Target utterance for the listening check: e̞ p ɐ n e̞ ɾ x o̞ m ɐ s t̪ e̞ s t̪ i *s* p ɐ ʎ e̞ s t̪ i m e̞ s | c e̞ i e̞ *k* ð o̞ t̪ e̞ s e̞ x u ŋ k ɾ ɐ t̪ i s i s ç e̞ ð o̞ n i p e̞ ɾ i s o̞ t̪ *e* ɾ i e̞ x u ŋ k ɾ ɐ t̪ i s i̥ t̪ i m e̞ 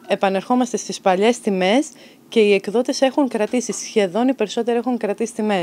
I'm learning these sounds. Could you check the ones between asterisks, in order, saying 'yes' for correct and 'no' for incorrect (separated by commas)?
yes, yes, yes